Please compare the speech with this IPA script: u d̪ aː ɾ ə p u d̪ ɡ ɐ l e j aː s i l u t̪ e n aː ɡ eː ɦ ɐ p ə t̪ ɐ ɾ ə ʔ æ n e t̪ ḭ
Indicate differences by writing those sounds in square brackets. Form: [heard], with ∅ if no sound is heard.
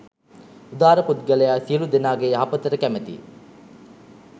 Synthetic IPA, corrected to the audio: u d̪ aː ɾ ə p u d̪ ɡ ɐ l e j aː s i l u [d̪] e n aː ɡ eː ɦ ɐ p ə t̪ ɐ ɾ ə [k] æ [m] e t̪ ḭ